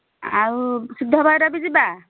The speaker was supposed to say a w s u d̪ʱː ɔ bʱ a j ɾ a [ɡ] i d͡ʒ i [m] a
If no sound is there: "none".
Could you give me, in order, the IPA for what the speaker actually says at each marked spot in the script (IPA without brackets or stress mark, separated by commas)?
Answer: b, b